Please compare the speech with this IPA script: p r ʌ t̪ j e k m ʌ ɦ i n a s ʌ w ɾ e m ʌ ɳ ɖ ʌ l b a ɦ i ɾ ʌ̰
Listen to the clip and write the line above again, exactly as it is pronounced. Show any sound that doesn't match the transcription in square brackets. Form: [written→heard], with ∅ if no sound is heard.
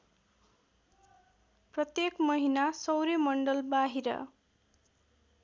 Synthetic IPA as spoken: p r ʌ t̪ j e k m ʌ ɦ i n a s ʌ w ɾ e m ʌ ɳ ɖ ʌ l b a ɦ i ɾ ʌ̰